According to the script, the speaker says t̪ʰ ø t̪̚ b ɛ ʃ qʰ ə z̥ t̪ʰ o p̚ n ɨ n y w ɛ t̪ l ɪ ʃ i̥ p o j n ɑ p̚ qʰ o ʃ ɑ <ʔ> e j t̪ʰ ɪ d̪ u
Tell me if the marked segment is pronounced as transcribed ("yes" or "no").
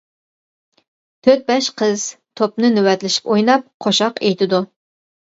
no